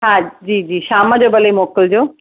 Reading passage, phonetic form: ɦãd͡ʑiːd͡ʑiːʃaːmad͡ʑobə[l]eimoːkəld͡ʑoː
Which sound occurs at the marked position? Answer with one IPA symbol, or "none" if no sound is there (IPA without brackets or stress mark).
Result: l